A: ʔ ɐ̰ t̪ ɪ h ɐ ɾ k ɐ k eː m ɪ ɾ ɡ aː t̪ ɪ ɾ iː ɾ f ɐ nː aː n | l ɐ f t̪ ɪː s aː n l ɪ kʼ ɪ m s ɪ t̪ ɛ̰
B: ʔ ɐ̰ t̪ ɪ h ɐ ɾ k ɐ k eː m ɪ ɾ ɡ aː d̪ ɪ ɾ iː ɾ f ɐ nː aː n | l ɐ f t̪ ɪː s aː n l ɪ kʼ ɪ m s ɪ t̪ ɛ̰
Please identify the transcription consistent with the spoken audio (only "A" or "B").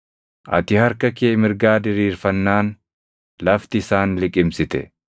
B